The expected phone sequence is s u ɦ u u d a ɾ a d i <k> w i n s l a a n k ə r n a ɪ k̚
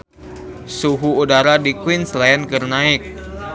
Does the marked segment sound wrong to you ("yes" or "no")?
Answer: no